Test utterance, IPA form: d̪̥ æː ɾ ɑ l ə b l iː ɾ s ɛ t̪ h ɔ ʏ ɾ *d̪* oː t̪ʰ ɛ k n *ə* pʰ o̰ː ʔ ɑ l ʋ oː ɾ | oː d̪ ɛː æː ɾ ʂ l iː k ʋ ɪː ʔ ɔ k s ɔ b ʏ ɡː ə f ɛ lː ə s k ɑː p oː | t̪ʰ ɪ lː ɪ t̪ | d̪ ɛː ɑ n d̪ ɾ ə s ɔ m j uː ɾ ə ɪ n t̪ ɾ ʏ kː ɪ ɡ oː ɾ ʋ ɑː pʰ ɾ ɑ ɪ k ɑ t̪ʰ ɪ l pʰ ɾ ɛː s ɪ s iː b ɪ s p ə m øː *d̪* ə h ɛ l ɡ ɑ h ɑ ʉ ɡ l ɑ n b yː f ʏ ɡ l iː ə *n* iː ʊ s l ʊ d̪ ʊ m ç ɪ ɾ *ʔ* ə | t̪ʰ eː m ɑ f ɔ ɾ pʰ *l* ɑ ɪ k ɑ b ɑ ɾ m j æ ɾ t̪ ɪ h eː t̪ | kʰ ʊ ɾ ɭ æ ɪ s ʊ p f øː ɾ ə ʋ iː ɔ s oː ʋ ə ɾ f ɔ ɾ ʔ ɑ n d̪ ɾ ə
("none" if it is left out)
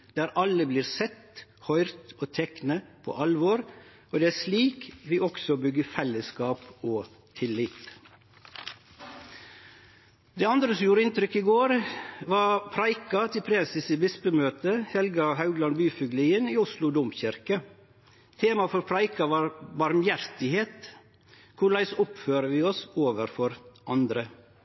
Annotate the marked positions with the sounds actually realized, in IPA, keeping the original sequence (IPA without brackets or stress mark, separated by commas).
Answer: t̪, ə, t̪, n, k, ɾ